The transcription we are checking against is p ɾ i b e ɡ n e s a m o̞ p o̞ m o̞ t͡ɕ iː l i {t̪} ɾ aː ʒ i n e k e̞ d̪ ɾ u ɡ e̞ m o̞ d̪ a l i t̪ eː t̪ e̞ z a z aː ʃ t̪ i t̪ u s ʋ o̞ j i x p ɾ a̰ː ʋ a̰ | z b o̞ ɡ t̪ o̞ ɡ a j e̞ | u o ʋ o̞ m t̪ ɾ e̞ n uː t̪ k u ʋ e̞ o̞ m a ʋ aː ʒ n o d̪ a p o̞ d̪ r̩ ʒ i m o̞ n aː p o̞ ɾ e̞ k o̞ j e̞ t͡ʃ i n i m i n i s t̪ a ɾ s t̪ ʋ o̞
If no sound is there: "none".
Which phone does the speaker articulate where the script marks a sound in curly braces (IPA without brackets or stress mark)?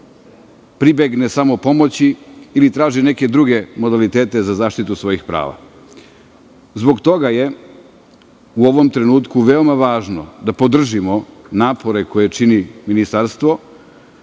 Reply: t̪